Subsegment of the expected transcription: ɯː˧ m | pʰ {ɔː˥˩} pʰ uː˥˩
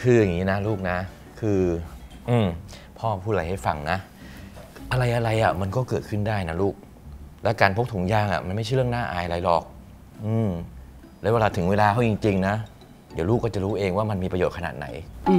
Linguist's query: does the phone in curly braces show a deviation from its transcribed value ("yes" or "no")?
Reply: no